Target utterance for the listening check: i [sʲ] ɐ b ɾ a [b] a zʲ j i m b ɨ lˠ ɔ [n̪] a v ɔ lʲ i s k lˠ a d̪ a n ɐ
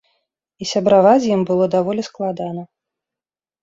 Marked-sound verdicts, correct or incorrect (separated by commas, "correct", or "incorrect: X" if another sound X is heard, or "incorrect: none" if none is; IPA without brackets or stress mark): correct, incorrect: v, incorrect: d̪